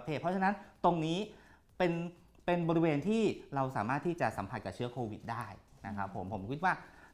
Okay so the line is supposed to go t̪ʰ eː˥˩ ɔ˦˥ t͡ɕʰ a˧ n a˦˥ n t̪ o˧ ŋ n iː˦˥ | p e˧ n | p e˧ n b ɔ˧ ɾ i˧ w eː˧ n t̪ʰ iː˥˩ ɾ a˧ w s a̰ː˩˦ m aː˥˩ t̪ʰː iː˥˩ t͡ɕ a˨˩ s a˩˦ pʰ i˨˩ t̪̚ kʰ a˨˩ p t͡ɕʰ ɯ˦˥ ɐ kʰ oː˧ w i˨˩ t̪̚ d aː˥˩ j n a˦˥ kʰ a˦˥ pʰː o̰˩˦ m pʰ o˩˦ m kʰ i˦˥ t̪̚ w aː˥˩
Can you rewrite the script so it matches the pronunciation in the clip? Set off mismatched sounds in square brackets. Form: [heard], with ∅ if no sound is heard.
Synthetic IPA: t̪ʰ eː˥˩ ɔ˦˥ t͡ɕʰ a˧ n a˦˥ n t̪ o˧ ŋ n iː˦˥ | p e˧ n | p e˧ n b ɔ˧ ɾ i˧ w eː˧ n t̪ʰ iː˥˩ ɾ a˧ w s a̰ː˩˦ m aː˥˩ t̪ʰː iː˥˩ t͡ɕ a˨˩ s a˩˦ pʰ [a˨˩] t̪̚ [k] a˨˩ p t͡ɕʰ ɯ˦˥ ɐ kʰ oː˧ w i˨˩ t̪̚ d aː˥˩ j n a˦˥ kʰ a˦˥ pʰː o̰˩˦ m pʰ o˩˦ m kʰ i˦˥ t̪̚ w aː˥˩